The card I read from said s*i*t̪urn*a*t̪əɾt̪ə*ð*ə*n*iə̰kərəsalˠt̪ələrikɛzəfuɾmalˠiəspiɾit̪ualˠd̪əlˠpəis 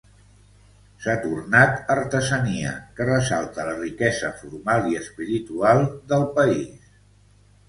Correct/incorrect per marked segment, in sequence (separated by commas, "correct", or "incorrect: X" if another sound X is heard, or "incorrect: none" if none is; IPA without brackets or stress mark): incorrect: a, correct, incorrect: z, correct